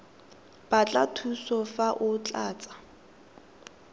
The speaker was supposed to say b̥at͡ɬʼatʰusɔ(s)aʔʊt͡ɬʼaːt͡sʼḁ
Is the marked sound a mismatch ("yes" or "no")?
yes